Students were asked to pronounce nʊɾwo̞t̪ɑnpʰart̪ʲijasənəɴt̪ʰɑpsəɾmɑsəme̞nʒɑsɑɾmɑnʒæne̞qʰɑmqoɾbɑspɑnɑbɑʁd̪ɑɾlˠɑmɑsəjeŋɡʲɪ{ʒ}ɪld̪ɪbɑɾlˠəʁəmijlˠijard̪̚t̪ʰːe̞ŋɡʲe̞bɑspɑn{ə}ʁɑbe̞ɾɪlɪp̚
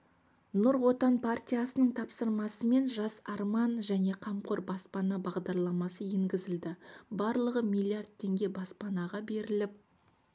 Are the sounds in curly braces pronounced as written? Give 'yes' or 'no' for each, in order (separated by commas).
no, no